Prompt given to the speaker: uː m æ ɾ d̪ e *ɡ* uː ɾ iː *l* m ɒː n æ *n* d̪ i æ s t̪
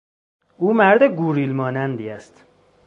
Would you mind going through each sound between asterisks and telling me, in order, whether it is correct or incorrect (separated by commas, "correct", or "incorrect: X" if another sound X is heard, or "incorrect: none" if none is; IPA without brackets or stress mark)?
correct, correct, correct